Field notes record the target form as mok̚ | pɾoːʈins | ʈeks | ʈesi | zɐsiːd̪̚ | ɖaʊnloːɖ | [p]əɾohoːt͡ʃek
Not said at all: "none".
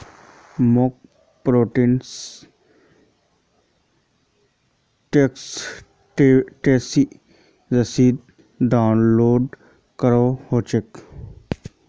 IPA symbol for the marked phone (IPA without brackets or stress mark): k